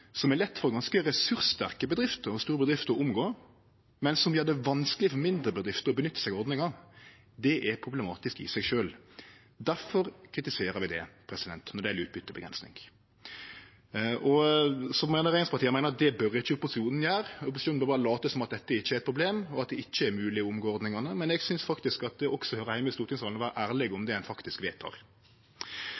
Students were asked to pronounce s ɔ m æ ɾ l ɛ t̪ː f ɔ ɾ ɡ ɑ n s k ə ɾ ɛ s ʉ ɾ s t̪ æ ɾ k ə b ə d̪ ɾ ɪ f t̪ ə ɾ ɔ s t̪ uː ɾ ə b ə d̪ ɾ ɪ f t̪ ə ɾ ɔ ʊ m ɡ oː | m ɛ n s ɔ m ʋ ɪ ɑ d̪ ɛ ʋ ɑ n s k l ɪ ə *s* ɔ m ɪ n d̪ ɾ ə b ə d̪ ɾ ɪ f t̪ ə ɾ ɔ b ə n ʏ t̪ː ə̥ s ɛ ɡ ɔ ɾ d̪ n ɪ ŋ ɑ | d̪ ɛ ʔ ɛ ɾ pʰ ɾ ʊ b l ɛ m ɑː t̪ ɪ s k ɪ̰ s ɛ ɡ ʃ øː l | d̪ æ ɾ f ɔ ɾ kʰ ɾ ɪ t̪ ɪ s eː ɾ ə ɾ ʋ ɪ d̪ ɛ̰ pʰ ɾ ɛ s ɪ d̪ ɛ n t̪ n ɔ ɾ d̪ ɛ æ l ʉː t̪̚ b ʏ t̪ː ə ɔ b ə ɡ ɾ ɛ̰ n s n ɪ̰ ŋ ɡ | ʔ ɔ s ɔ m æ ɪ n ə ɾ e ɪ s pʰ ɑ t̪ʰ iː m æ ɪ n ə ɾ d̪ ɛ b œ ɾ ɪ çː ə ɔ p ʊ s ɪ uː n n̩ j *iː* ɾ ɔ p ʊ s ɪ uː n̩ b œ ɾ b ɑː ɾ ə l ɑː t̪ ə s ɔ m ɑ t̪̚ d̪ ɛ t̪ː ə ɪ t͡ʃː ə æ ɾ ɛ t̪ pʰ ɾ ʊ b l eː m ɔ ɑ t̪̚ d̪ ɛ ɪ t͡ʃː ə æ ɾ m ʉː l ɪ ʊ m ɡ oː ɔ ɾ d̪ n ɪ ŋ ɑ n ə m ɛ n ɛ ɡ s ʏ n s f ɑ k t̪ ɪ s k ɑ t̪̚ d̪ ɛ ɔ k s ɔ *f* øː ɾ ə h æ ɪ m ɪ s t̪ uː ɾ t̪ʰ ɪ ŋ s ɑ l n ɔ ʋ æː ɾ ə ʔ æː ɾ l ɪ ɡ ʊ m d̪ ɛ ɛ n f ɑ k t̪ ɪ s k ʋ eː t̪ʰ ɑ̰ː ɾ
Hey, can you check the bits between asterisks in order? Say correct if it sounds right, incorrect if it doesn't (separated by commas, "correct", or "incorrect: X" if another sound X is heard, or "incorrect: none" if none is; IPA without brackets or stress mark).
incorrect: f, incorrect: æː, incorrect: h